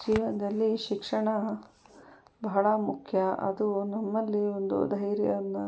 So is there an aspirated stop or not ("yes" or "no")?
yes